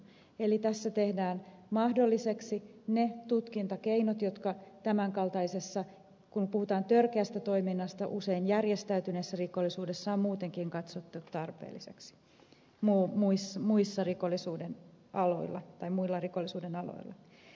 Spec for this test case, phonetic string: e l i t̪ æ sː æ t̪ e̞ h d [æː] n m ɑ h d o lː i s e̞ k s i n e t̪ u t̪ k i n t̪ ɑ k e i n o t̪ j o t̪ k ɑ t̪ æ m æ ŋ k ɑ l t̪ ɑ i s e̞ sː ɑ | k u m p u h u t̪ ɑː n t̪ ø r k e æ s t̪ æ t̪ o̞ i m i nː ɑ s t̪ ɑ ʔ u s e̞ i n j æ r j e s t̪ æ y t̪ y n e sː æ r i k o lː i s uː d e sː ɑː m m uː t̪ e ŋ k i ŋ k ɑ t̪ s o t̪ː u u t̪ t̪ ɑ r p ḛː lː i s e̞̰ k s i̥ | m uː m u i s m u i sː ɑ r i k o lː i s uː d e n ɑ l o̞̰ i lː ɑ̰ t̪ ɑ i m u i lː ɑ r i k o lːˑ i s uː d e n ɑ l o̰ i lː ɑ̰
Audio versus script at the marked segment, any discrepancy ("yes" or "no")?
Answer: no